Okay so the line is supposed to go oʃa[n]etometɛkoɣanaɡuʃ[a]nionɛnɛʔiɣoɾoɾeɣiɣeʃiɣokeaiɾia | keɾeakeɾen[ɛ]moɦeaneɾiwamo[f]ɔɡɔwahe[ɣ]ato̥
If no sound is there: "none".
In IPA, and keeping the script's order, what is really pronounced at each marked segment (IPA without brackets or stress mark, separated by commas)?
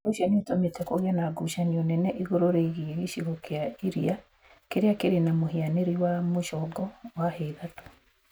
n, a, a, ʃ, ð